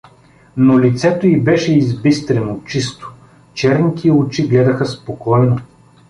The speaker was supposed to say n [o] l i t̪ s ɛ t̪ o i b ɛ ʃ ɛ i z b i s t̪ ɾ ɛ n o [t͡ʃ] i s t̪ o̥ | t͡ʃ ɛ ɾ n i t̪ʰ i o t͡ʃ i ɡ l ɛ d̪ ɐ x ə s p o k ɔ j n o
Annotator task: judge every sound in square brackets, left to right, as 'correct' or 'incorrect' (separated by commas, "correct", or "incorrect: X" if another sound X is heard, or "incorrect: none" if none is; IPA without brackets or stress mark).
correct, correct